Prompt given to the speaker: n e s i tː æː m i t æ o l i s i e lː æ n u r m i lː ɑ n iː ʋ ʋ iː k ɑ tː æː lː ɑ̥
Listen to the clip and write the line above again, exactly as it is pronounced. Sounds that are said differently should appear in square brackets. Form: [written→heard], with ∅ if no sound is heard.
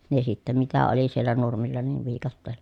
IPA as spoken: n e s i tː [æː→æ] m i t æ o l i s i e lː æ n u r m i lː ɑ n iː ʋ ʋ iː k ɑ tː [æː→eː] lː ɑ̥